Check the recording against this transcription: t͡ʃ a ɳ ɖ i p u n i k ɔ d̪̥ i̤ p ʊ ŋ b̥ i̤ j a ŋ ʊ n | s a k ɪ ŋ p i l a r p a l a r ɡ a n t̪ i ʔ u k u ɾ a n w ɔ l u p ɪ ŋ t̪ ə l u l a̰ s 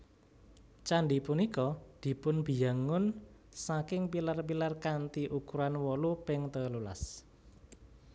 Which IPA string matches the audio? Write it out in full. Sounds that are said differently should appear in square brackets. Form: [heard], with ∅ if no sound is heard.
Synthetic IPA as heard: t͡ʃ a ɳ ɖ i p u n i k ɔ d̪̥ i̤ p ʊ [n] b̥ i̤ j a ŋ ʊ n | s a k ɪ ŋ p i l a r p [i] l a r [k] a n t̪ i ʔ u k u ɾ a n w ɔ l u p ɪ ŋ t̪ ə l u l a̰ s